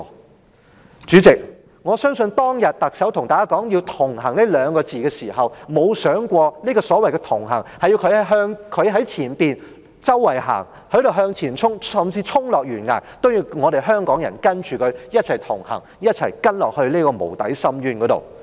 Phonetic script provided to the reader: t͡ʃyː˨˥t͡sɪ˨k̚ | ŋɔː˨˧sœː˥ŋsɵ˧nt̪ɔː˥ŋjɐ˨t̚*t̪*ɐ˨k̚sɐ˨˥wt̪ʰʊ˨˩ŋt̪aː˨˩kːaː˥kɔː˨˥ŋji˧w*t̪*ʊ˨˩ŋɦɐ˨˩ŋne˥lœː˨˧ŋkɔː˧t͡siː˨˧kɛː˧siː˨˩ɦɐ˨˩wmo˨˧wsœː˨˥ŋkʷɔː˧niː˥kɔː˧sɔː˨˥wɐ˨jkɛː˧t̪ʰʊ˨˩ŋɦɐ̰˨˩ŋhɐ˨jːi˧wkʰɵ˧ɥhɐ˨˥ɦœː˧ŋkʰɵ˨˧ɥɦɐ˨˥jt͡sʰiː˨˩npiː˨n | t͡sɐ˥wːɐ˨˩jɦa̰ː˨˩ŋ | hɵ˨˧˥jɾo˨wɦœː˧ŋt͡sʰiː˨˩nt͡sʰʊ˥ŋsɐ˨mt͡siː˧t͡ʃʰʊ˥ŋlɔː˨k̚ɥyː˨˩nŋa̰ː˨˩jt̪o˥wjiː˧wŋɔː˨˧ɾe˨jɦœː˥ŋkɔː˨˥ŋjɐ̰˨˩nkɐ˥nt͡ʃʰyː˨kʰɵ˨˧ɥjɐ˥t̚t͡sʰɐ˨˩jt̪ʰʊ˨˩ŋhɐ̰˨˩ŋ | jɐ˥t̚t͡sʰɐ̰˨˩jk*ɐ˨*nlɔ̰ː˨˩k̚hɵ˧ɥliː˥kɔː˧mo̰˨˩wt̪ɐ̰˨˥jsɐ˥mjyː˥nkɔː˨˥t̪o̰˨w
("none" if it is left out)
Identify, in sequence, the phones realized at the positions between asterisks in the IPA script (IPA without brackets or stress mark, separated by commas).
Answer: t̪, t̪ʰ, ɐ˥